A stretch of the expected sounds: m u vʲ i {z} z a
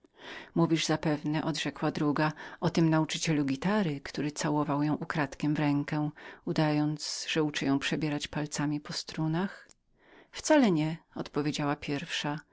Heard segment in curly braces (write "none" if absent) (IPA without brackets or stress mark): ʐ